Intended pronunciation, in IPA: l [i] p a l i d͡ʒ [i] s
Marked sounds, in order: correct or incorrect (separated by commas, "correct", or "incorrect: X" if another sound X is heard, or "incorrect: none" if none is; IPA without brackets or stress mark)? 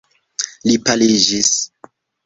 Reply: correct, correct